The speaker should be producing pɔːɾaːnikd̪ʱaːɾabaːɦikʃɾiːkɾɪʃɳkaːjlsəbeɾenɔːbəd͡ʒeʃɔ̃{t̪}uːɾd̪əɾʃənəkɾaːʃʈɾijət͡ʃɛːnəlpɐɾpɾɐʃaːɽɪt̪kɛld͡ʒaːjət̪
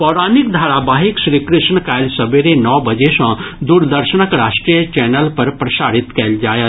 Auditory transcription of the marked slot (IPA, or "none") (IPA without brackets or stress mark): d̪